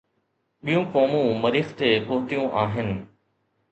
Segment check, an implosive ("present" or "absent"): present